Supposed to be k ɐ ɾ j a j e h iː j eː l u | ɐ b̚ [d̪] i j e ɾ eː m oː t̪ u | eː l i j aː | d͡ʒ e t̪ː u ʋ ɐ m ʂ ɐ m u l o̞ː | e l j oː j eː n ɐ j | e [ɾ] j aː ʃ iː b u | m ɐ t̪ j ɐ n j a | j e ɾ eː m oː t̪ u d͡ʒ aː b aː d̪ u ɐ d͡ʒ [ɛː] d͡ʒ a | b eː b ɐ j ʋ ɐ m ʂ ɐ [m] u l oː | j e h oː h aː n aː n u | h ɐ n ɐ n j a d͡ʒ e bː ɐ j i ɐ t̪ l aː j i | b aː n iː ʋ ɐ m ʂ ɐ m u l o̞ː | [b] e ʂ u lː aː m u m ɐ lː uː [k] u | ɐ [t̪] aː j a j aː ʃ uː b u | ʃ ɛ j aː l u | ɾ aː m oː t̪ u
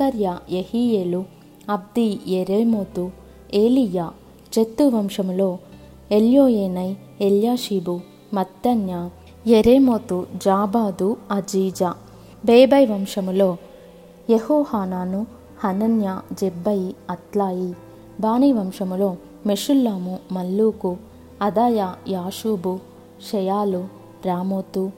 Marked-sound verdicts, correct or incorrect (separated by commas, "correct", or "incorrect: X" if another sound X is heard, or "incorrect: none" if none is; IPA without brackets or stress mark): correct, incorrect: l, incorrect: iː, correct, incorrect: m, correct, incorrect: d̪